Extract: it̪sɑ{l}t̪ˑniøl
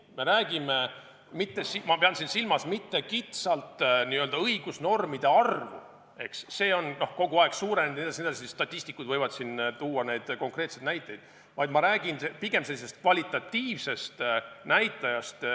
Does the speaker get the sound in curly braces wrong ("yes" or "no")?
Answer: no